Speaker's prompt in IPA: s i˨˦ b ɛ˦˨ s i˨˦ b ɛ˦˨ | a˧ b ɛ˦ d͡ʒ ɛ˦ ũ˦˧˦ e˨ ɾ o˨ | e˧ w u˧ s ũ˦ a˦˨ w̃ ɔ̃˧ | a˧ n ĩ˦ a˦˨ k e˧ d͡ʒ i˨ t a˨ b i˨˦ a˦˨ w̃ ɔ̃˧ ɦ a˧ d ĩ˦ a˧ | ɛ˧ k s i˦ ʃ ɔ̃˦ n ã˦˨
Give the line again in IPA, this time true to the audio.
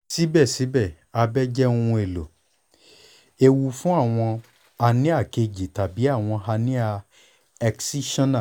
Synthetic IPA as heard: s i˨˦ b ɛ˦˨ s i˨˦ b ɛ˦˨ | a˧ b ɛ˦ d͡ʒ ɛ˦ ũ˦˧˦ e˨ l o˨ | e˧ w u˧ f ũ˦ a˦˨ w̃ ɔ̃˧ | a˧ n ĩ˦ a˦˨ k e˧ d͡ʒ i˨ t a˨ b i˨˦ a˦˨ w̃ ɔ̃˧ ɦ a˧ n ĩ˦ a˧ | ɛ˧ k s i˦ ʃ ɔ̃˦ n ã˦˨